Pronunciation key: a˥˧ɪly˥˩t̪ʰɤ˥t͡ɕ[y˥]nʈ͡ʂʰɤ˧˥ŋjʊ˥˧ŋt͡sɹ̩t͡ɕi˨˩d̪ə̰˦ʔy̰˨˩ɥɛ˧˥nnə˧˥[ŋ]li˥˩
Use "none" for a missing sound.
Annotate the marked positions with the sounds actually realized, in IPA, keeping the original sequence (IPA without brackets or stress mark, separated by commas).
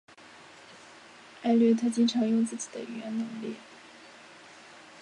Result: i˥, ŋ